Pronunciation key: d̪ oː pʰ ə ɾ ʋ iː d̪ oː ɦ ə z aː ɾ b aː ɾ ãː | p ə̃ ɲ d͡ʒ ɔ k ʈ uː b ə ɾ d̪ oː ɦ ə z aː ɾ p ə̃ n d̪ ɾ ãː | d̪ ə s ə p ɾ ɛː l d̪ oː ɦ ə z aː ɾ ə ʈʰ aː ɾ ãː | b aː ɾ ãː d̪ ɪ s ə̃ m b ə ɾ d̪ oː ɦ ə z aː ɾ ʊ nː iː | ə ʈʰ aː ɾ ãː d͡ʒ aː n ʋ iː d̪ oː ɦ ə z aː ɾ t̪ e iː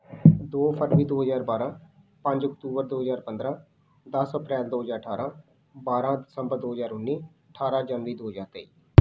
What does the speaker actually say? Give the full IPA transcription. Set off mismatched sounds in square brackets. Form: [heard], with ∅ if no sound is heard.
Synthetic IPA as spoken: d̪ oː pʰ ə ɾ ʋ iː d̪ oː ɦ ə z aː ɾ b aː ɾ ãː | p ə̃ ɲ d͡ʒ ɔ k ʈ uː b ə ɾ d̪ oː ɦ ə z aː ɾ p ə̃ n d̪ ɾ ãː | d̪ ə s ə p ɾ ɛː l d̪ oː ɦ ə z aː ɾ ə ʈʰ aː ɾ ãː | b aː ɾ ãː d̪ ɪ s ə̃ m b ə ɾ d̪ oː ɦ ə z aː ɾ ʊ nː iː | ə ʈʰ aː ɾ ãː d͡ʒ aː n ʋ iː d̪ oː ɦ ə z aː ɾ t̪ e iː